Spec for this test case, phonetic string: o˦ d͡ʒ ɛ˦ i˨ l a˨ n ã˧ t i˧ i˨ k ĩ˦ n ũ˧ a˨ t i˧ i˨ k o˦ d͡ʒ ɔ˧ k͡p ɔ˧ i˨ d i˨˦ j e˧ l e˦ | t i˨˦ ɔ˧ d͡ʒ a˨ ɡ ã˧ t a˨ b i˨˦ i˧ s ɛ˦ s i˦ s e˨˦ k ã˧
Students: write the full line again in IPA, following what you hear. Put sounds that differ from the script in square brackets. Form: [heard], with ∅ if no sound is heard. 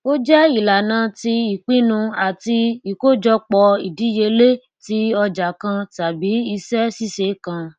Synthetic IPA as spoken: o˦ d͡ʒ ɛ˦ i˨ l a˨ n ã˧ t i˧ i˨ [k͡p] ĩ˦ n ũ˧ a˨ t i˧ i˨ k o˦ d͡ʒ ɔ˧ k͡p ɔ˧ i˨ d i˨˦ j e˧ l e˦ | t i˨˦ ɔ˧ d͡ʒ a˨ [k] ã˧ t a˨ b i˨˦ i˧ s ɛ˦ s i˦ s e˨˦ k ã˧